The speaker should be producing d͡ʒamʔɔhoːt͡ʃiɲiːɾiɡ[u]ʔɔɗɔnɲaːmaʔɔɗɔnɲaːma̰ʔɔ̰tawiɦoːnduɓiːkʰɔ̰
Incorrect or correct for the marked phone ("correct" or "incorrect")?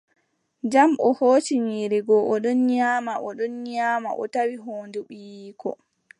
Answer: incorrect